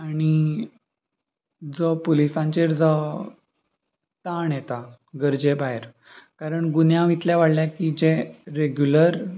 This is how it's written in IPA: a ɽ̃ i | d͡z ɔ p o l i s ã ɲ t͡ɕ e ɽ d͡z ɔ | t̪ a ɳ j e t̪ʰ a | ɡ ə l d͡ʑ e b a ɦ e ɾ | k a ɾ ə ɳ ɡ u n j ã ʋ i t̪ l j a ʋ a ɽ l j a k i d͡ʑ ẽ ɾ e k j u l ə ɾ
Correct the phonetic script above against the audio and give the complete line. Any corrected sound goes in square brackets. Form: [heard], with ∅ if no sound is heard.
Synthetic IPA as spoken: a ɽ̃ i | d͡z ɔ p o l i s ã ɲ t͡ɕ e [ɾ] d͡z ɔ | t̪ a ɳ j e [t̪] a | ɡ ə [ɾ] d͡ʑ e b a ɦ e ɾ | k a ɾ ə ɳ ɡ u n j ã ʋ i t̪ l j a ʋ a ɽ l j a k i d͡ʑ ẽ ɾ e [ɡ] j u l ə ɾ